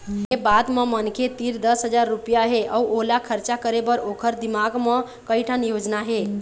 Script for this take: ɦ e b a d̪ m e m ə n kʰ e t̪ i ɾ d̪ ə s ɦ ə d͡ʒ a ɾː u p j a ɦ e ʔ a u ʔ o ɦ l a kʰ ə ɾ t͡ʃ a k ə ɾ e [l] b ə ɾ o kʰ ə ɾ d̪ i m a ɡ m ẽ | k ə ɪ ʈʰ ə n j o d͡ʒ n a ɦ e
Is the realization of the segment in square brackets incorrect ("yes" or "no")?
yes